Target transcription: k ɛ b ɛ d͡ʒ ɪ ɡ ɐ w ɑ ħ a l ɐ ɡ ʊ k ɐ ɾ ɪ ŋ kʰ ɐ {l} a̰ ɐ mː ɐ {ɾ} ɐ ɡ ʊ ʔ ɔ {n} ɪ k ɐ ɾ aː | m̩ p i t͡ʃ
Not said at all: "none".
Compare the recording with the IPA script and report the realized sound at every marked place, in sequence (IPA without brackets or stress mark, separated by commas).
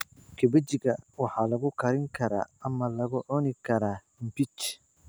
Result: ɾ, l, n